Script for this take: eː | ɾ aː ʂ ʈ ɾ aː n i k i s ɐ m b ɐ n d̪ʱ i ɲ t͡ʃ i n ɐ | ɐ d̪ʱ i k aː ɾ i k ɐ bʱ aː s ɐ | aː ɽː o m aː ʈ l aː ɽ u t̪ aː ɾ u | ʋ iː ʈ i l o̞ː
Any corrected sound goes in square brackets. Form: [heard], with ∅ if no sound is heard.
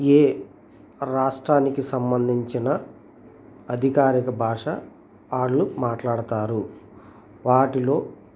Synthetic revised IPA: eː | ɾ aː ʂ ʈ ɾ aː n i k i s ɐ m b ɐ n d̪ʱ i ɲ t͡ʃ i n ɐ | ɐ d̪ʱ i k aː ɾ i k ɐ bʱ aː [ʂ] ɐ | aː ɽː [u] m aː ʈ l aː ɽ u t̪ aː ɾ u | ʋ [aː] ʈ i l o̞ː